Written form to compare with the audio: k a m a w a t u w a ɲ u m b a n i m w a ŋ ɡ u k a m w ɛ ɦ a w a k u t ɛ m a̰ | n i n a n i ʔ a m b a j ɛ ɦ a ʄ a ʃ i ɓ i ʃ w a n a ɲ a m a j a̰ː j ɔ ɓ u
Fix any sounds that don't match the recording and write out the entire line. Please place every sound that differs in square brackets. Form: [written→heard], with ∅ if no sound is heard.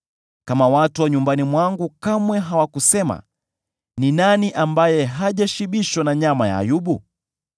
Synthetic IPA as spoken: k a m a w a t u w a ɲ u m b a n i m w a ŋ ɡ u k a m w ɛ ɦ a w a k u [t→s] ɛ m a̰ | n i n a n i ʔ a m b a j ɛ ɦ a ʄ a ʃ i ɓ i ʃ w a n a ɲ a m a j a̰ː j [ɔ→u] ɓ u